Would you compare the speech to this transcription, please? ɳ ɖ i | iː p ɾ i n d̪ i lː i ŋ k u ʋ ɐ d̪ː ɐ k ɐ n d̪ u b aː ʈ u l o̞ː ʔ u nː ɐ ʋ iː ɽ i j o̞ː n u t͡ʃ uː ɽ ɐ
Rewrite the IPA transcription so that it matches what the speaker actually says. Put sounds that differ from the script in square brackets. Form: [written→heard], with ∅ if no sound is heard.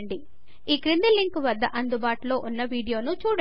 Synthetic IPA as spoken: ɳ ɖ i | iː [p→k] ɾ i n d̪ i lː i ŋ k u ʋ ɐ d̪ː ɐ [k→ʔ] ɐ n d̪ u b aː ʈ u l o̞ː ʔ u nː ɐ ʋ iː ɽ i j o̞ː n u t͡ʃ uː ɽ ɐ